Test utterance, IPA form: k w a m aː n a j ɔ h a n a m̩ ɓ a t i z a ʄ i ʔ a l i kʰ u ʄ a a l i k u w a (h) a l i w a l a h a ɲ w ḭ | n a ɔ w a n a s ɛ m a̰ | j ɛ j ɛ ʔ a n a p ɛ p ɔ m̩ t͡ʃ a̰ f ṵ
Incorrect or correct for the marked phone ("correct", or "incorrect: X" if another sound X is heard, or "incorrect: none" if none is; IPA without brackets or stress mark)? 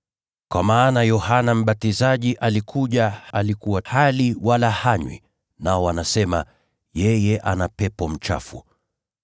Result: correct